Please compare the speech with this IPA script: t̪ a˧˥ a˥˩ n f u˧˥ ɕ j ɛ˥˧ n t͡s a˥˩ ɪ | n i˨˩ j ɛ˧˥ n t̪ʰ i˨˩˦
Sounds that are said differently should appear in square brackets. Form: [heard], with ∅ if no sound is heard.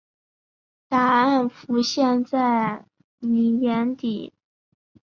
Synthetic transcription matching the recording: t̪ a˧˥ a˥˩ n f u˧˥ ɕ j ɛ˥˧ n t͡s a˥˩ ɪ | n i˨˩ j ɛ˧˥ n [t̪] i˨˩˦